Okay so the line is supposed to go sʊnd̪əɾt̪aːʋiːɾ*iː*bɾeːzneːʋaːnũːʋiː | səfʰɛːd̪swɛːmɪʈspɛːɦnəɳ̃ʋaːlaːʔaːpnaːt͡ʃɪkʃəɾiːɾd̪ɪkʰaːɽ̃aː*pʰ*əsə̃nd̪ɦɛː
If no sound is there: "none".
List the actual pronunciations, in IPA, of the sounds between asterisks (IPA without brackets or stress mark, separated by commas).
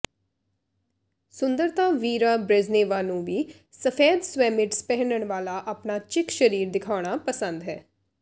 aː, p